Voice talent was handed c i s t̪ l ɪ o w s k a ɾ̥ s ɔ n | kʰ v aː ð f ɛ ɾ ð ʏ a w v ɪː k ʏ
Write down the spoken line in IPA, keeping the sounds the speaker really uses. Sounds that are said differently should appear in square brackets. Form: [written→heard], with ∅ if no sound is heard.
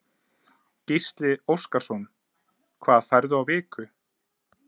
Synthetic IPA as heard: c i s t̪ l ɪ o w s k a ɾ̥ s ɔ n | kʰ v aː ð f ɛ ɾ ð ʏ a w v ɪː k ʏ